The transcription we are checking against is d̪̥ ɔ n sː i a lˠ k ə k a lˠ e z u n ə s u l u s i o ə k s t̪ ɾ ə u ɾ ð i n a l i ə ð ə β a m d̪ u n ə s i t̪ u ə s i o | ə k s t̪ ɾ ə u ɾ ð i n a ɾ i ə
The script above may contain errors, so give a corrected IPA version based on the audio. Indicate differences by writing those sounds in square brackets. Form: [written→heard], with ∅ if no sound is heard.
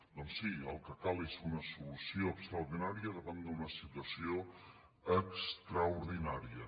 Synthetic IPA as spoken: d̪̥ ɔ n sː i [a→ə] lˠ k ə k a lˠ e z u n ə s u l u s i o ə k s t̪ ɾ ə u ɾ ð i n a [l→ɾ] i ə ð ə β a [m→n] d̪ u n ə s i t̪ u ə s i o | ə k s t̪ ɾ ə u ɾ ð i n a ɾ i ə

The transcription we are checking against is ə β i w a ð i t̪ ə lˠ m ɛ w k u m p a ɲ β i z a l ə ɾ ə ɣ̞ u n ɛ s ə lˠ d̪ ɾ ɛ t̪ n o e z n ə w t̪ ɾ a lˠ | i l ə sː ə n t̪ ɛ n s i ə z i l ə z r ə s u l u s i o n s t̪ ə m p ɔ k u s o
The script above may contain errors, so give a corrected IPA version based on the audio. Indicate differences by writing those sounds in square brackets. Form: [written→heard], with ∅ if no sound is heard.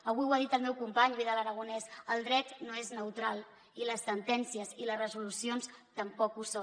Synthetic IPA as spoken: ə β i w a ð i t̪ ə lˠ m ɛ w k u m p a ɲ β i [z→ð] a l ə ɾ ə ɣ̞ u n ɛ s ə lˠ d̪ ɾ ɛ t̪ n o e z n ə w t̪ ɾ a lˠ | i l ə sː ə n t̪ ɛ n s i ə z i l ə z r ə [s→z] u l u s i o n s t̪ ə m p ɔ k u s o

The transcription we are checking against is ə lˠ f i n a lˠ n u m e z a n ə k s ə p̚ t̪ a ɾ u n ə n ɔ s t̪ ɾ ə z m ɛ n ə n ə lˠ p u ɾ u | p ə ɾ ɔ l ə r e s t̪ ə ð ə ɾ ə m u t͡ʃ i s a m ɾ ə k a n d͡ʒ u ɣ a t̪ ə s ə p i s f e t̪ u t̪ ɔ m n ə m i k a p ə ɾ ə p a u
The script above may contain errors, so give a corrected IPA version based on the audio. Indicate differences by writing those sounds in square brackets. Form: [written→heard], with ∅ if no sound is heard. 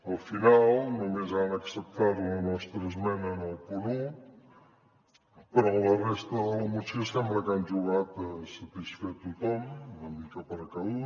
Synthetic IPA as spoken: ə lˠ f i n a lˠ n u m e z a n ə k s ə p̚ t̪ a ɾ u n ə n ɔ s t̪ ɾ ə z m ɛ n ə n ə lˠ p u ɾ u | p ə ɾ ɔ l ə r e s t̪ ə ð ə [ɾ→l] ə m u t͡ʃ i s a m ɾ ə k a n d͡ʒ u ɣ a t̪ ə s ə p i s f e t̪ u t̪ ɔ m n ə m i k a p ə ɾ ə [p→k] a u

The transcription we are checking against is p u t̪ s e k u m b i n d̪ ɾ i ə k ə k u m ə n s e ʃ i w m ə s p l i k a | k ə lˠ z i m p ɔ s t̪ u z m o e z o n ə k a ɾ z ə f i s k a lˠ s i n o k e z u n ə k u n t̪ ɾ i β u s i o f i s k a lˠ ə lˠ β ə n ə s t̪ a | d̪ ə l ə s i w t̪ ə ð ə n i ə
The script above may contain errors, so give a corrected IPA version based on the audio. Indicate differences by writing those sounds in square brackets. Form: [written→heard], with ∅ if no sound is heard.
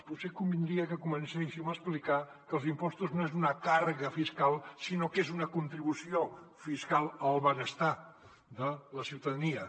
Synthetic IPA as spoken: p u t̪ s e k u m b i n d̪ ɾ i ə k ə k u m ə n s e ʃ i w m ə s p l i k a | k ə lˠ z i m p ɔ s t̪ u z [m→n] o e z [o→u] n ə k a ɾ [z→ɣ] ə f i s k a lˠ s i n o k e z u n ə k u n t̪ ɾ i β u s i o f i s k a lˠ ə lˠ β ə n ə s t̪ a | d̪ ə l ə s i w t̪ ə ð ə n i ə

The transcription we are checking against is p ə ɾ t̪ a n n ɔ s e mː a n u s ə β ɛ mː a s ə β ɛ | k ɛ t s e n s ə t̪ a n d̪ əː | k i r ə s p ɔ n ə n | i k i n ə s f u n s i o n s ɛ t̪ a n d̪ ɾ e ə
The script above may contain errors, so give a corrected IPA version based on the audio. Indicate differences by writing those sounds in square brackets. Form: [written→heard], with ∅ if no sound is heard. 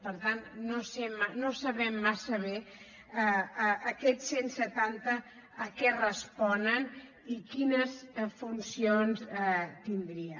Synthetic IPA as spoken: p ə ɾ t̪ a n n [ɔ→o] s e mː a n [u→o] s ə β ɛ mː a s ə β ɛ | k ɛ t s e n s ə t̪ a n [d̪→t̪] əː | k [i→ɛ] r ə s p ɔ n ə n | i k i n ə s f u n s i o n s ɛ t̪ [a→i] n d̪ ɾ [e→i] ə

